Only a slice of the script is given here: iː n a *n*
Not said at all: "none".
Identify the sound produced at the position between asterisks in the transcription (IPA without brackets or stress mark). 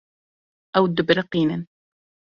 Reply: n